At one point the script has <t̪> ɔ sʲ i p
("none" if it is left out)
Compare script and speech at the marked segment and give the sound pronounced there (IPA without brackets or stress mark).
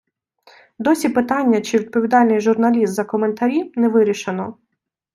d̪